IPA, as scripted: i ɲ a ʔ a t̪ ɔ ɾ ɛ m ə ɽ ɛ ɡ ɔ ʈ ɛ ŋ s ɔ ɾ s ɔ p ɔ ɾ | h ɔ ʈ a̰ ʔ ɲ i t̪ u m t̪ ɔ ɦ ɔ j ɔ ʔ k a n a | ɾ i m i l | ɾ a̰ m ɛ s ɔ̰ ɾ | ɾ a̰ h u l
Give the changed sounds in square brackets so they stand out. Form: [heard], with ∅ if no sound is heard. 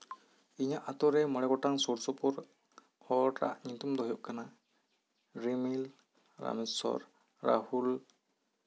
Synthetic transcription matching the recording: i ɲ a ʔ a t̪ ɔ ɾ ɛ m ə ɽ ɛ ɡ ɔ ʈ [a] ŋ s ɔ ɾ s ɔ p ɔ ɾ | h ɔ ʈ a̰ ʔ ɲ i t̪ u m [d̪] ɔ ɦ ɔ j ɔ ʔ k a n a | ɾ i m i l | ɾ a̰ m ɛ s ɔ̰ ɾ | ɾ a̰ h u l